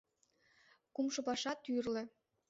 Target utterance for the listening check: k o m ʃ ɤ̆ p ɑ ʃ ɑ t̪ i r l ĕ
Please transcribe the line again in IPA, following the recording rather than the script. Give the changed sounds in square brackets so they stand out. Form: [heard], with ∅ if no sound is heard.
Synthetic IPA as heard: k [u] m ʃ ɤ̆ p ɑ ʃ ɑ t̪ [y] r l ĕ